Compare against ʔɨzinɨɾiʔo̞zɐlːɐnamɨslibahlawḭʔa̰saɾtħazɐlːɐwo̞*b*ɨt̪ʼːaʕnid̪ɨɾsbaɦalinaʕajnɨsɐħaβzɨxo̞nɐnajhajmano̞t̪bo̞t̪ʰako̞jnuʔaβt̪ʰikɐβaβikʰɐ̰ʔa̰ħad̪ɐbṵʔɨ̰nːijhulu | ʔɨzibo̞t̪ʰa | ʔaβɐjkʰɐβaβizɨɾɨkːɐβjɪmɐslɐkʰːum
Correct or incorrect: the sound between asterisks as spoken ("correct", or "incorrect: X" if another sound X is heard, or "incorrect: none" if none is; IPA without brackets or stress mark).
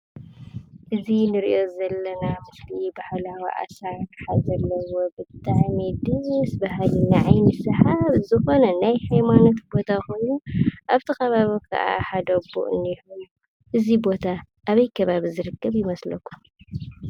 correct